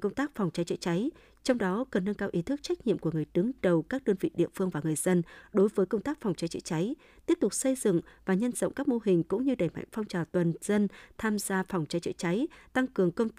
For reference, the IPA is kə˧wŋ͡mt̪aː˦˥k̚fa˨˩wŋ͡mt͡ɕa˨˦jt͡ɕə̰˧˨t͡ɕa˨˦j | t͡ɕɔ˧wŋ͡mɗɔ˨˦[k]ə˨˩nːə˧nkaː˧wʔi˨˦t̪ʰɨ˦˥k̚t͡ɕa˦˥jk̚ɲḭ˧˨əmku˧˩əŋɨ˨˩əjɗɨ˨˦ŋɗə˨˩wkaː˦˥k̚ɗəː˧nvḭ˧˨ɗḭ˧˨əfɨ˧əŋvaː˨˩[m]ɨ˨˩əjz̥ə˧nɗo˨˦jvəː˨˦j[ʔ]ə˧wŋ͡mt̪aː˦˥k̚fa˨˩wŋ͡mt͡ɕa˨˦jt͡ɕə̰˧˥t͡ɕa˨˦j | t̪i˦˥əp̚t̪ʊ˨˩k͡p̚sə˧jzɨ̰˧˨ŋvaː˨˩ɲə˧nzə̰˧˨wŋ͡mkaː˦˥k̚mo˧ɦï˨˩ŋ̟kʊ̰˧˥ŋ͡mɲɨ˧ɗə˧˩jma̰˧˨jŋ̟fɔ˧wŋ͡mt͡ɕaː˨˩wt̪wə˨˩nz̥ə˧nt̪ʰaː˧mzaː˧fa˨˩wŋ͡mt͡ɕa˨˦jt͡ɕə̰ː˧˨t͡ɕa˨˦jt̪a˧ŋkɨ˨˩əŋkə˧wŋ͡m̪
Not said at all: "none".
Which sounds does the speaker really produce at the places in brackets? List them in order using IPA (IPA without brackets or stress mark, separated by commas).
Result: k, ŋ, k